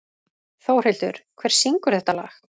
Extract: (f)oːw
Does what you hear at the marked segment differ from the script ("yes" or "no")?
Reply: yes